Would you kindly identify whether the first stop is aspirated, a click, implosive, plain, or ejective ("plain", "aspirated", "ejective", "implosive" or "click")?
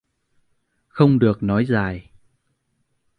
implosive